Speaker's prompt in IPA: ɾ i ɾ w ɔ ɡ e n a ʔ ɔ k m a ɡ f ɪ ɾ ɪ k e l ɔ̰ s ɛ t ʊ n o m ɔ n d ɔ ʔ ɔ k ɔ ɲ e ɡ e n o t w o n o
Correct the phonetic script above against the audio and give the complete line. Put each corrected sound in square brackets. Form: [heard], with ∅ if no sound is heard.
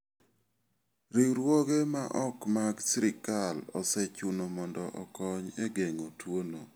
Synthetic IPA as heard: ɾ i ɾ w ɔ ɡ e [m] a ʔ ɔ k m a ɡ [s] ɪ ɾ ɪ k [a] l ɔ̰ s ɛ [t͡ʃ] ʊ n o m ɔ n d ɔ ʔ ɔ k ɔ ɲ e ɡ e [ŋ] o t w o n o